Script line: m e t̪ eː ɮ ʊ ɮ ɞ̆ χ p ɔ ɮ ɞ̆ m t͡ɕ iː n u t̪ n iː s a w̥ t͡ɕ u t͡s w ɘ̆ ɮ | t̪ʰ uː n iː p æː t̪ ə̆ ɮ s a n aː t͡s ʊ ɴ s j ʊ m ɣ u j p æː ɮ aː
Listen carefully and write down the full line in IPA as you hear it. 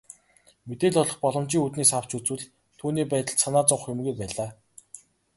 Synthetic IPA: m e t̪ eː ɮ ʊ ɮ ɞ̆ χ p ɔ ɮ ɞ̆ m t͡ɕ iː ŋ u t̪ n iː s a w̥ t͡ɕ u t͡s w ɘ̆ ɮ | t̪ʰ uː n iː p æː t̪ ə̆ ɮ s a n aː t͡s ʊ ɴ χ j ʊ m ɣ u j p æː ɮ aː

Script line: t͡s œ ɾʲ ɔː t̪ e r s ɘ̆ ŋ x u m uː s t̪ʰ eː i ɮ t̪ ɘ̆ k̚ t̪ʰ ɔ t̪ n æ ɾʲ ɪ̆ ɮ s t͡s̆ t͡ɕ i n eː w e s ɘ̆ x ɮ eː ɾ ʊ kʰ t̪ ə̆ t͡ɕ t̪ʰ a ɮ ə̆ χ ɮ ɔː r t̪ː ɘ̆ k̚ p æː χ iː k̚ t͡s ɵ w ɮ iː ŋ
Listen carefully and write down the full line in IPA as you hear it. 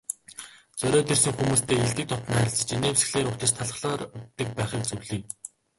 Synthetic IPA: t͡s œ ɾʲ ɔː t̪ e r s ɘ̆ ŋ x u m uː s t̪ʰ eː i ɮ t̪ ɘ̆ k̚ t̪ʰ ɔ t̪ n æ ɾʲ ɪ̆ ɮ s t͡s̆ t͡ɕ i n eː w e s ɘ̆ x ɮ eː ɾ ʊ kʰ t̪ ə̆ t͡ɕ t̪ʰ a ɮ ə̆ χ ɮ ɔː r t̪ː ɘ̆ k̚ p æː χ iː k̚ t͡s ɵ w ɮ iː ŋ

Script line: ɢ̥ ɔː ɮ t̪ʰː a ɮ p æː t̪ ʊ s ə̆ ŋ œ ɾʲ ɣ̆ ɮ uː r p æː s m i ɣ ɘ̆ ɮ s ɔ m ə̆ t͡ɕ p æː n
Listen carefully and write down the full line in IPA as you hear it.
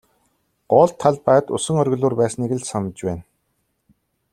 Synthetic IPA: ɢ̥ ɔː ɮ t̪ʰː a ɮ p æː t̪ ʊ s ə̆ ŋ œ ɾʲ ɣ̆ ɮ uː r p æː s n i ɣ ɘ̆ ɮ s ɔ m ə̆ t͡ɕ p æː n

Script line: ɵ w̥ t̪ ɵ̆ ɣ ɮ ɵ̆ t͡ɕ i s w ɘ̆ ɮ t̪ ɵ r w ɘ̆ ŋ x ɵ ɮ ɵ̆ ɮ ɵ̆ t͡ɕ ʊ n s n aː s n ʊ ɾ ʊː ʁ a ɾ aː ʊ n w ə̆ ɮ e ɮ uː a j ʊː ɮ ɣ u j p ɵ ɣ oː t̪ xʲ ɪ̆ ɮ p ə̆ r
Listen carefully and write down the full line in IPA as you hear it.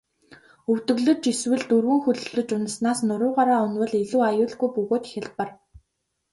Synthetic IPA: ɵ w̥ t̪ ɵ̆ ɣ ɮ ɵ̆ t͡ɕ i s w ɘ̆ ɮ t̪ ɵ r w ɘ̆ ŋ x ɵ ɮ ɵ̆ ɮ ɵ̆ t͡ɕ ʊ n s n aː s n ʊ ɾ ʊː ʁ a ɾ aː ʊ n w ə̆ ɮ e ɮ uː a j ʊː ɮ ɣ u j p ɵ ɣ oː t̪ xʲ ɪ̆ ɮ p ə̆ r

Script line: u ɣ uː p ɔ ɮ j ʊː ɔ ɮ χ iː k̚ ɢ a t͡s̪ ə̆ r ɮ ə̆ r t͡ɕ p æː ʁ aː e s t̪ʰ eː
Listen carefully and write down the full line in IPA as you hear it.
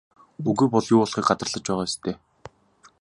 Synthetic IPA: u ɣ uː p ɔ ɮ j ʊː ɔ ɮ χ iː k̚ ɢ a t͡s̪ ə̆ r ɮ ə̆ t͡ɕ p æː ʁ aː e s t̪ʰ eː

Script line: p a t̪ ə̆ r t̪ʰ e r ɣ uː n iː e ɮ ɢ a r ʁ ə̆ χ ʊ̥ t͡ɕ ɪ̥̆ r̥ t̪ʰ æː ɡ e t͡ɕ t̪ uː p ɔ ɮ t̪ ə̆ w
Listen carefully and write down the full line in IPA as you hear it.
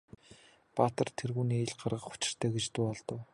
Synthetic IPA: p a t̪ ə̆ r t̪ʰ e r ɣ uː n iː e ɮ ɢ a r ʁ ə̆ χ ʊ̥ t͡ɕ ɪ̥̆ r̥ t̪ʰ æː ɡ e t͡ɕ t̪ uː ɔ ɮ t̪ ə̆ w

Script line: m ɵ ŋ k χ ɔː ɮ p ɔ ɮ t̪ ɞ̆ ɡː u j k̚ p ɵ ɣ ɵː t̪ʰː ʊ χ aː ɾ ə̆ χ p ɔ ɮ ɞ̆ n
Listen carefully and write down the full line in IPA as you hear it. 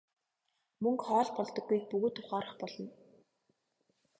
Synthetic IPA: m ɵ ŋ k χ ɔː ɮ p ɔ ɮ t̪ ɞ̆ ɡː u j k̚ p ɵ ɣ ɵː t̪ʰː ʊ χ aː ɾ ə̆ χ p ɔ ɮ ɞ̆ n

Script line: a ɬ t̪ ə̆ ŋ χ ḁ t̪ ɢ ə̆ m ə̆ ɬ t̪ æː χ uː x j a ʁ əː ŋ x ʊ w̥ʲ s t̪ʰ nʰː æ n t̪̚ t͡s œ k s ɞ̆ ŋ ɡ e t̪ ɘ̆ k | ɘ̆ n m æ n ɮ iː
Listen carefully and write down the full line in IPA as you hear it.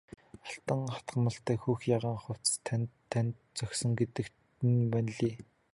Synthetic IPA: a ɬ t̪ ə̆ ŋ χ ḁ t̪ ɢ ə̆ m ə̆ ɬ t̪ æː x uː x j a ʁ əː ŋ χ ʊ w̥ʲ t͡s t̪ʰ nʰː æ n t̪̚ t͡s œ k s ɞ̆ ŋ ɡ e t̪ ɘ̆ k | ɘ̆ n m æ n ɮ iː

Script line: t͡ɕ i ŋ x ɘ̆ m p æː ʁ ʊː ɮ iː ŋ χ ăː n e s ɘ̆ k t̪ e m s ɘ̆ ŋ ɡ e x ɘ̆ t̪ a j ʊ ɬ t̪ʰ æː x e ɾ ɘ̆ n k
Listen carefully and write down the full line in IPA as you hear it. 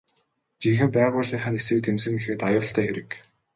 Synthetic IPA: t͡ɕ i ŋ x ɘ̆ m p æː ʁ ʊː ɮ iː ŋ χ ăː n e s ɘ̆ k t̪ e m s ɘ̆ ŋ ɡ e x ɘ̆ t̪ a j ʊː ɬ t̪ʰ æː x e ɾ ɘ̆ k

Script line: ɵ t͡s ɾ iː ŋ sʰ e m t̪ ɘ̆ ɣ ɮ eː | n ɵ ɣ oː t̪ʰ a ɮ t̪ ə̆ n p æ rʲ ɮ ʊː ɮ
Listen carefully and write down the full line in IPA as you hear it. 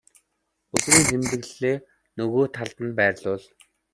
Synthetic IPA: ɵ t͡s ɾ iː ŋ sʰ e m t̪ ɘ̆ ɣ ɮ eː | n ɵ ɣ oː t̪ʰ a ɮ t̪ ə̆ n p æː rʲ ɮ ʊː ɮ

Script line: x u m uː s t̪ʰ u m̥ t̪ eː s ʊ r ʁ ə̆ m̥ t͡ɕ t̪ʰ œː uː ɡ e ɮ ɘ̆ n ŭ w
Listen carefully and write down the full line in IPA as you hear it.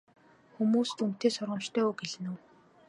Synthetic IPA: x u m uː s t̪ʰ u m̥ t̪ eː s ʊ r ʁ ə̆ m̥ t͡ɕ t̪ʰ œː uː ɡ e ɮ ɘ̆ n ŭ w

